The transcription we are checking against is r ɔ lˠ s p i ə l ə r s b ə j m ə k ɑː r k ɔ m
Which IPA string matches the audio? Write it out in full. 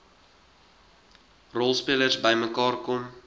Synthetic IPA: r ɔ lˠ s p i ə l ə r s b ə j m ə k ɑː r k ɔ m

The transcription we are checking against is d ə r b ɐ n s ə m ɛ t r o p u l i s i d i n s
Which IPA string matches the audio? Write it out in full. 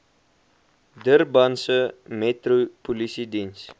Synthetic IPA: d ə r b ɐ n s ə m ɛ t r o p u l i s i d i n s

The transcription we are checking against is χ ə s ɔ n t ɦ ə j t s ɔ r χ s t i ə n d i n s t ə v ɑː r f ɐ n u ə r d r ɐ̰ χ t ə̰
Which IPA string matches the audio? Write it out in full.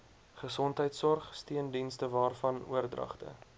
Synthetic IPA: χ ə s ɔ n t ɦ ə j t s ɔ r χ s t i ə n d i n s t ə v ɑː r f ɐ n u ə r d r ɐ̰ χ t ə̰

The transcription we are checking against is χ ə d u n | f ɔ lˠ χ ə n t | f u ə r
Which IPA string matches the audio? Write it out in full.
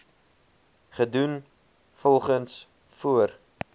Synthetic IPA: χ ə d u n | f ɔ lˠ χ ə n s | f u ə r

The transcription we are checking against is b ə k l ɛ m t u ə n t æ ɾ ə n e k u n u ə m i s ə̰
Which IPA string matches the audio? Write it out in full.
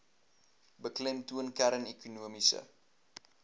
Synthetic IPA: b ə k l ɛ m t u ə n k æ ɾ ə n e k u n u ə m i s ə̰

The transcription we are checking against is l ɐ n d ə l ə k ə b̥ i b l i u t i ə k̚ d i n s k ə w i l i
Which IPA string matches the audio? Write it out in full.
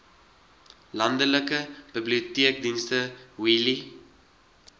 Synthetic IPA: l ɐ n d ə l ə k ə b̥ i b l i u t i ə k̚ d i n s t ə w i l i

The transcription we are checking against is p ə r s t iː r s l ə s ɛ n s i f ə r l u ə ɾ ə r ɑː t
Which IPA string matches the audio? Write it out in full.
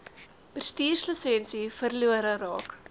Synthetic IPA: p ə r s t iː r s l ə s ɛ n s i f ə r l u ə ɾ ə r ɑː k

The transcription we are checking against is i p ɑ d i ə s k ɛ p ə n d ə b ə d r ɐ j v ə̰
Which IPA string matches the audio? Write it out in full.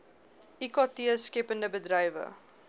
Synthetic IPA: i k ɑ t i ə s k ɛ p ə n d ə b ə d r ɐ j v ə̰

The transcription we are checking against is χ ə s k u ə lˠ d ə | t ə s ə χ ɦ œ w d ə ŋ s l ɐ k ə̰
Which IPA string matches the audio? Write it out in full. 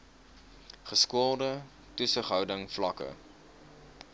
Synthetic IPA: χ ə s k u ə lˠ d ə | t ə s ə χ ɦ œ w d ə ŋ f l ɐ k ə̰

